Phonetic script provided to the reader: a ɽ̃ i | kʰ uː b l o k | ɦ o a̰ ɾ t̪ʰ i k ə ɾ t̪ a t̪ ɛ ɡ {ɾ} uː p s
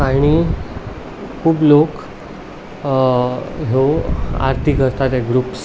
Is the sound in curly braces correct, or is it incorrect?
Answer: correct